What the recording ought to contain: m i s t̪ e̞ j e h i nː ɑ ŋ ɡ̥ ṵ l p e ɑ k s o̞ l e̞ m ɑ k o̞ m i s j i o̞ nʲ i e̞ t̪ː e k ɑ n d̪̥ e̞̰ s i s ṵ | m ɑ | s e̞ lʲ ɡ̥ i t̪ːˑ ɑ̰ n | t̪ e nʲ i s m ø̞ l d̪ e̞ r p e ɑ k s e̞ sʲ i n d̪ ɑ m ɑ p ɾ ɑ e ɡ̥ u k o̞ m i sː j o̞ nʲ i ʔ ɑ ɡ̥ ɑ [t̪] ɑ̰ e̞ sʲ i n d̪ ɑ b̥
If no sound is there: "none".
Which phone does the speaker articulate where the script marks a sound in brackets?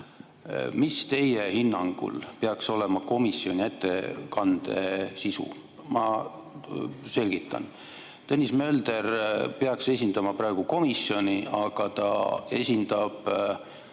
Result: t̪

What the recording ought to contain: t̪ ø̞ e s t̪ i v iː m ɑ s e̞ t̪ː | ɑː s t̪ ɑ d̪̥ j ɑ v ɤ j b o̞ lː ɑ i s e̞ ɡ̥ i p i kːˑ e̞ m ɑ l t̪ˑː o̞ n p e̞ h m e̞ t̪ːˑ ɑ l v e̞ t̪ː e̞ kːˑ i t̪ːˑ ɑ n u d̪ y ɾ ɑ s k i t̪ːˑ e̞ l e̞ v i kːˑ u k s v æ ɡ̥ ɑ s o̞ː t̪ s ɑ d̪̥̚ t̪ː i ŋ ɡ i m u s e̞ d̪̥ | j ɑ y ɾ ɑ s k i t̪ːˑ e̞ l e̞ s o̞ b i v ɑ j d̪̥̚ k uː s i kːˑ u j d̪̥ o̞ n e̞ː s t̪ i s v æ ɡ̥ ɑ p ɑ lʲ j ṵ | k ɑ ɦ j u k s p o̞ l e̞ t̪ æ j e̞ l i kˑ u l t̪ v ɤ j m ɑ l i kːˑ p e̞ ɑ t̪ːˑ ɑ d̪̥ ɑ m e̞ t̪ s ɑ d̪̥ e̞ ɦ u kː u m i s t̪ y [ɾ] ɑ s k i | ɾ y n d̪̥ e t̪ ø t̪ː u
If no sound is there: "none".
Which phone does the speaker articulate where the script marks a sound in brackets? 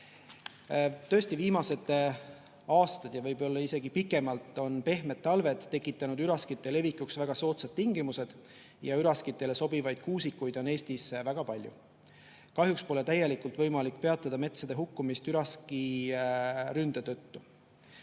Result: ɾ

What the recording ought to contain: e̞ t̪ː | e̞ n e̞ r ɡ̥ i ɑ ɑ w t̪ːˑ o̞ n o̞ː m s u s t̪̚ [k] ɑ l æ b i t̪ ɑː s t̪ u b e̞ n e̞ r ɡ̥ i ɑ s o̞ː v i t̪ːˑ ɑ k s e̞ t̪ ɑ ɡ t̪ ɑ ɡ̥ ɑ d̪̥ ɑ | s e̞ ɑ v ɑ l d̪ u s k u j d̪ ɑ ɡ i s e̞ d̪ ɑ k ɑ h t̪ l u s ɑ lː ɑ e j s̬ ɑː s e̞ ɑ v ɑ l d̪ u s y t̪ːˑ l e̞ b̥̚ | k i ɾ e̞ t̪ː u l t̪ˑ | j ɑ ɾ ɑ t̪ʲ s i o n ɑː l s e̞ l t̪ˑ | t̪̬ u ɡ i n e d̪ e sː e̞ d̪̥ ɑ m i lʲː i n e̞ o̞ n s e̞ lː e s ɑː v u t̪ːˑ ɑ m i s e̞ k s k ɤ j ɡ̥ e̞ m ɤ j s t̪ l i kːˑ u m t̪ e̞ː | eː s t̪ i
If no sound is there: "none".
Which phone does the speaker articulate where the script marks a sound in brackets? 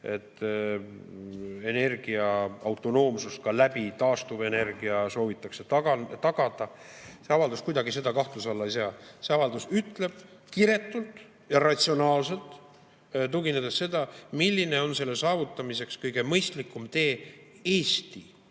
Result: k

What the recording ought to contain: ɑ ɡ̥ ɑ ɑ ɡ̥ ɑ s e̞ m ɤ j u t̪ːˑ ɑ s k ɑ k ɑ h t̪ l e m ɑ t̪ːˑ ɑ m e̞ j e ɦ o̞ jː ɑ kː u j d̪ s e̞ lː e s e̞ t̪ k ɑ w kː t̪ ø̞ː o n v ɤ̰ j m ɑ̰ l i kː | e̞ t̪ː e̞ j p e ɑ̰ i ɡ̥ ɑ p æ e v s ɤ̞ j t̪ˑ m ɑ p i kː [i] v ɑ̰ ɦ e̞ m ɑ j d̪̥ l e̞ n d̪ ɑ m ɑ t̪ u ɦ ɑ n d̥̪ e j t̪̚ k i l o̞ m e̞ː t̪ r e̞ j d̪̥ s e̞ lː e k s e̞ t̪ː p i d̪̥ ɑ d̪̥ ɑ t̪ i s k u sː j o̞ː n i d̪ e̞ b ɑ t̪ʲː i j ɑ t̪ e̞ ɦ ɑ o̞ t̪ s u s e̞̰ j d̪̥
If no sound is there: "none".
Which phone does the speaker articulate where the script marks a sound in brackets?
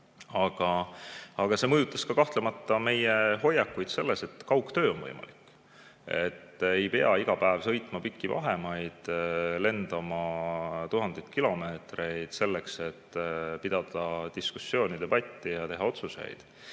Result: i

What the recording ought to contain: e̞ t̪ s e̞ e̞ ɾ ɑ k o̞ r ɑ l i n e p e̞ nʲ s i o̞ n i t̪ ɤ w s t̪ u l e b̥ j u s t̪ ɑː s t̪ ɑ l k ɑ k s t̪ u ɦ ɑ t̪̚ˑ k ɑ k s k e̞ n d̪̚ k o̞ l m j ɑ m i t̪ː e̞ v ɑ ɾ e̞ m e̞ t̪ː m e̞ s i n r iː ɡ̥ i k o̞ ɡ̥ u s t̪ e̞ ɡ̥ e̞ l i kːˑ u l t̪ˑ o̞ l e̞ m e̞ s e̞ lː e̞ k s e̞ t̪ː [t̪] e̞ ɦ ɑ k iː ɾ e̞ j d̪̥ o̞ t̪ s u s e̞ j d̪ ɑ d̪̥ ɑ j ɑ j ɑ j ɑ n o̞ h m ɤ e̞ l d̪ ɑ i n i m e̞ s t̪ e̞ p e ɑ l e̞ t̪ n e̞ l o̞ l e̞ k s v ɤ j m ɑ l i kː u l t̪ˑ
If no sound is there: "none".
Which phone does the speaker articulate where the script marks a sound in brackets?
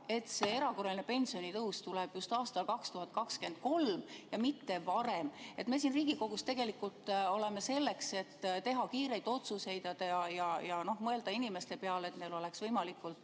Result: t̪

